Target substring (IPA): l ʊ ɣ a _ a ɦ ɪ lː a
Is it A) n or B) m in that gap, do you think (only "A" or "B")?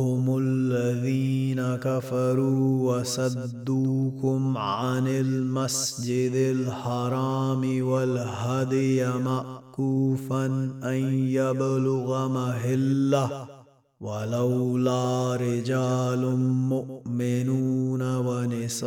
B